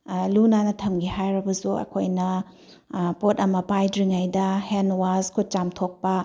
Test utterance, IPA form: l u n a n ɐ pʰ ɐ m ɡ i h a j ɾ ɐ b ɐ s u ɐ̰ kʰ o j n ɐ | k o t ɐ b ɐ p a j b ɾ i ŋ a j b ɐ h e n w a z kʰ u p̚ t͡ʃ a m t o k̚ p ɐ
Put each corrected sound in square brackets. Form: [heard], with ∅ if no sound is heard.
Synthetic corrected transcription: l u n a n ɐ [tʰ] ɐ m ɡ i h a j ɾ ɐ b ɐ s u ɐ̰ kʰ o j n ɐ | [p] o t ɐ [m] ɐ p a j [d] ɾ i ŋ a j [d] ɐ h e n w a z kʰ u [t̚] t͡ʃ a m [tʰ] o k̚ p ɐ